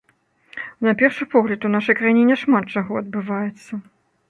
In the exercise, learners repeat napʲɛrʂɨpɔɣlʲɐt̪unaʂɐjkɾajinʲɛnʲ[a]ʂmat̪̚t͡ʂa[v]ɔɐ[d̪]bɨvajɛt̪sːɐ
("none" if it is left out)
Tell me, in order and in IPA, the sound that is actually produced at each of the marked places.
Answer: ɛ, ɣ, d̪

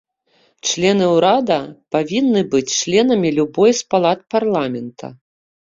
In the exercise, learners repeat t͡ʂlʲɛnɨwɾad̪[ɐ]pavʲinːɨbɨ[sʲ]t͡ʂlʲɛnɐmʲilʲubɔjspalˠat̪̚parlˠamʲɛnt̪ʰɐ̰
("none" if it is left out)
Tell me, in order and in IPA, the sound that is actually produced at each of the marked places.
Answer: ɐ, t͡sʲ

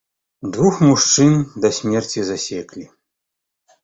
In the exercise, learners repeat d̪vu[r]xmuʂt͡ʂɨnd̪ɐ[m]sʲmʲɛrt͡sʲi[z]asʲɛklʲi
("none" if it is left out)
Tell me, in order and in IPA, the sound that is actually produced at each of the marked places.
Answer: none, none, z

